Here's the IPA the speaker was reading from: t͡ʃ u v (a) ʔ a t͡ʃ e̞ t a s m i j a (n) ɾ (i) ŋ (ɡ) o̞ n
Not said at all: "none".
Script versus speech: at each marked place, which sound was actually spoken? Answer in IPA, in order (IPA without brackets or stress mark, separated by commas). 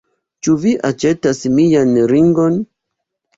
i, n, i, ɡ